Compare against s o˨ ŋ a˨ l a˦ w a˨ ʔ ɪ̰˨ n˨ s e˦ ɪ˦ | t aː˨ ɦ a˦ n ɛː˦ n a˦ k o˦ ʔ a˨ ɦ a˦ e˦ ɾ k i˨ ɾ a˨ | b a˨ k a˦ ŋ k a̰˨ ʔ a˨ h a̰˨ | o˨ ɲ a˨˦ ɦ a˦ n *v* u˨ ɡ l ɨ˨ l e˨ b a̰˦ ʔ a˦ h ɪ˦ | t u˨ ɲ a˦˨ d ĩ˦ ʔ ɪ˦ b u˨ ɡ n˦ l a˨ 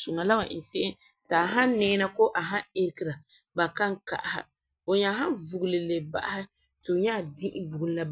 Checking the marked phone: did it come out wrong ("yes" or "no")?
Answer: no